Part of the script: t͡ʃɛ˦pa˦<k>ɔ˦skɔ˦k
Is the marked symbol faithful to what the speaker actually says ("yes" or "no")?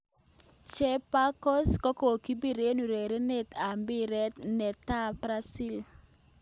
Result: yes